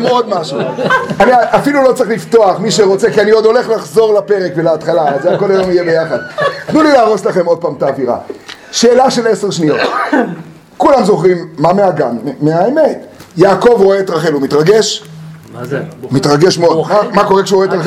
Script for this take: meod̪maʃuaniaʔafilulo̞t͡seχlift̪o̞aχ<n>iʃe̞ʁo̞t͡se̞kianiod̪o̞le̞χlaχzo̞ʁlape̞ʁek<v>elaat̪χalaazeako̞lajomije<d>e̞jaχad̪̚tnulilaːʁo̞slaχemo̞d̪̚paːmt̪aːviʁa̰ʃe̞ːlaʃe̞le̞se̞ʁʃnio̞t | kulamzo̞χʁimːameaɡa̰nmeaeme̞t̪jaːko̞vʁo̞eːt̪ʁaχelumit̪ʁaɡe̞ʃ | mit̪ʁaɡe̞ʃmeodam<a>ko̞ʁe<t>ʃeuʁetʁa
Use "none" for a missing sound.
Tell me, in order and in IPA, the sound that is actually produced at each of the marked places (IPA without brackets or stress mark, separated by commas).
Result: m, v, b, a, k